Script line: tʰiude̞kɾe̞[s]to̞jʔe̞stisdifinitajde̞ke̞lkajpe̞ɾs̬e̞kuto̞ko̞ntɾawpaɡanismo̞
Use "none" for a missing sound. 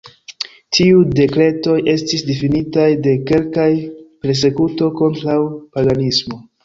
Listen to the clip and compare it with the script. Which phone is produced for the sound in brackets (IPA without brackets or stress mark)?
none